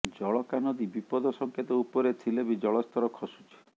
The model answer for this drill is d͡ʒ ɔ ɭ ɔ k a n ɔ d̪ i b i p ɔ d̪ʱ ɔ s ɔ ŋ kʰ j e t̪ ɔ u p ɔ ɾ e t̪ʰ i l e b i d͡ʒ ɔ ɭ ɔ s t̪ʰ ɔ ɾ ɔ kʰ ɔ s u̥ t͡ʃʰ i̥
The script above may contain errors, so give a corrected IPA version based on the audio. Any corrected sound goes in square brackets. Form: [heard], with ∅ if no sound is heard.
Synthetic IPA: d͡ʒ ɔ ɭ ɔ k a n ɔ d̪ i b i p ɔ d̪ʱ ɔ s ɔ ŋ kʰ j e t̪ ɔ u p ɔ ɾ e t̪ʰ i l e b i d͡ʒ ɔ ɭ ɔ s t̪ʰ ɔ ɾ ɔ kʰ ɔ s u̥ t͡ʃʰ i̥